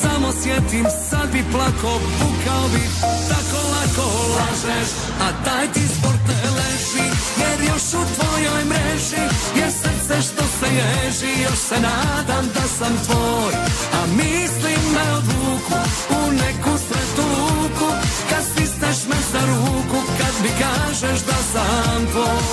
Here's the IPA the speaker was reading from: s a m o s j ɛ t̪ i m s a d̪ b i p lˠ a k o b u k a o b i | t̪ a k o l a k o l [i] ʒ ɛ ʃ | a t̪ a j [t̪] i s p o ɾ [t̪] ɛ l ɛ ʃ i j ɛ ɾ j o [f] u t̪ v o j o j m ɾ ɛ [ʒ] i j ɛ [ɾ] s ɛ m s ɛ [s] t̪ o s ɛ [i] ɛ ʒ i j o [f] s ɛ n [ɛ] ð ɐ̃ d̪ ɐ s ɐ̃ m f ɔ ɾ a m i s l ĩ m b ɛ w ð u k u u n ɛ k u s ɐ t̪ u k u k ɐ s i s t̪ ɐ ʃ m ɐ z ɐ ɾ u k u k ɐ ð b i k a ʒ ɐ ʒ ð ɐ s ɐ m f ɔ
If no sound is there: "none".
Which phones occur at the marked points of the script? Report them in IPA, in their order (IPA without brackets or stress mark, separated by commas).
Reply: a, t̪, t̪, ʃ, ʒ, ɾ, ʃ, j, ʃ, a